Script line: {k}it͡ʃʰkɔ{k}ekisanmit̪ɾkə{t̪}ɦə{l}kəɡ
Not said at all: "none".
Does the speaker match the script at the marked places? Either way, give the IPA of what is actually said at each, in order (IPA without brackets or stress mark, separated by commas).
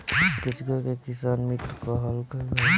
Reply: k, k, none, l